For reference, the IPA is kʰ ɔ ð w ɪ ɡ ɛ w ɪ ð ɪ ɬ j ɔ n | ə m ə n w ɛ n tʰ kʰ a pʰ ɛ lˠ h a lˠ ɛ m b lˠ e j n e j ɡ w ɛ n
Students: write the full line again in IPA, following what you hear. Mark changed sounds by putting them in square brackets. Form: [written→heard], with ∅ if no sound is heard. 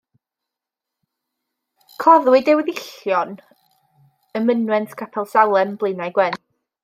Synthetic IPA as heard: kʰ ɔ ð w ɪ [ɡ→d] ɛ w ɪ ð ɪ ɬ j ɔ n | ə m ə n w ɛ n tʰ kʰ a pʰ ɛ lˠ [h→s] a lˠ ɛ m b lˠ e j n [e→a] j ɡ w ɛ n